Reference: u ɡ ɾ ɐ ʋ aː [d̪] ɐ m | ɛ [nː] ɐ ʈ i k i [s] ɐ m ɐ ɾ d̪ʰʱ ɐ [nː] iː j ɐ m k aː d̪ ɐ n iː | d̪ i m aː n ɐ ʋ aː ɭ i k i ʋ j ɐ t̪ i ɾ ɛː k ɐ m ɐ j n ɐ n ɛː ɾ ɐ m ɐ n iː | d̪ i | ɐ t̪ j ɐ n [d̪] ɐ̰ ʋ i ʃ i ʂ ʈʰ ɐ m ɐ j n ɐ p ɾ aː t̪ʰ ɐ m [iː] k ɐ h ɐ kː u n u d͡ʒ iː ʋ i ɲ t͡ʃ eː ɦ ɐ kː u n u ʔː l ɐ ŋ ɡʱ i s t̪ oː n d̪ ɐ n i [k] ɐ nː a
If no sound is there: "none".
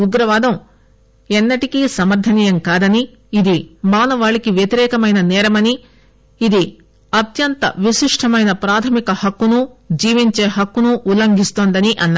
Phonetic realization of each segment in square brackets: d̪, nː, s, n, t̪, i, ʔ

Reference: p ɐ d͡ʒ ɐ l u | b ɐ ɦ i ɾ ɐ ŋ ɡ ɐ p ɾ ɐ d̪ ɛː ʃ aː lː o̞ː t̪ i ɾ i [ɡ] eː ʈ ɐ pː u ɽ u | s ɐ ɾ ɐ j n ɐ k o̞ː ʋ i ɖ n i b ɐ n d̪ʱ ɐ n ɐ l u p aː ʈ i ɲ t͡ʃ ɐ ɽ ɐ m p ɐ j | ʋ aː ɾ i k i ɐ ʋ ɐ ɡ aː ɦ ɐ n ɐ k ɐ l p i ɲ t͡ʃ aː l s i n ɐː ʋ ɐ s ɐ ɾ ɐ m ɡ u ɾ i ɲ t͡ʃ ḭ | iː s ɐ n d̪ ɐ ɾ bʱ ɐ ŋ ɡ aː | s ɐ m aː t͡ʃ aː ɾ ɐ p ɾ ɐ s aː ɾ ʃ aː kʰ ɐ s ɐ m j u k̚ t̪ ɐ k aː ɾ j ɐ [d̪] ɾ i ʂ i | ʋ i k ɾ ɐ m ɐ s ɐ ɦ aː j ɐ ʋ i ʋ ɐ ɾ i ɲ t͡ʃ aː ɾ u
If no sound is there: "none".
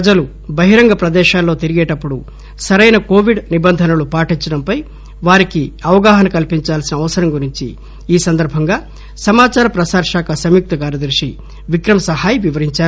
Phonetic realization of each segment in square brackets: ɡ, d̪

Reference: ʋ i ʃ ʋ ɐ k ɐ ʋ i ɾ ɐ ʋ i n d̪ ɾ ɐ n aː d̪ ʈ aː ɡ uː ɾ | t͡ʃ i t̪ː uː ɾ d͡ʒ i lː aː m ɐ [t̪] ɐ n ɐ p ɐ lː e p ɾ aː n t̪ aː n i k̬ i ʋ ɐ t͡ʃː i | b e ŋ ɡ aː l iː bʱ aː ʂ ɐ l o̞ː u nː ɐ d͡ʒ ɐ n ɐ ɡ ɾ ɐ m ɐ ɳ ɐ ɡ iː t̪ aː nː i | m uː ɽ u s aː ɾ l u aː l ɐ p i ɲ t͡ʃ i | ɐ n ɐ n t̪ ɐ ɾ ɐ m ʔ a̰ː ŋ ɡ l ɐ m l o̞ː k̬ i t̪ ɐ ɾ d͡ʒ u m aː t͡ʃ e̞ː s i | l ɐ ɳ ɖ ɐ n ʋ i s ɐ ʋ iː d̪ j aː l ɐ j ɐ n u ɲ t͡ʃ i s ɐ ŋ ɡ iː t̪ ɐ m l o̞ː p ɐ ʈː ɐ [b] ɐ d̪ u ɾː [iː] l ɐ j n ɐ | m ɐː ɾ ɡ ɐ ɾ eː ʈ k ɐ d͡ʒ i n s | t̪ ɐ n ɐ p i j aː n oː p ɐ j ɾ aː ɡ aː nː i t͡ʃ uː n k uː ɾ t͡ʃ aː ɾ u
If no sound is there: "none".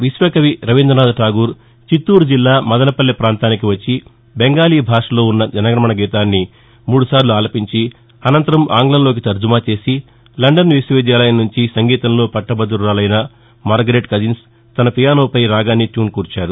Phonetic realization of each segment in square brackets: d̪, b, aː

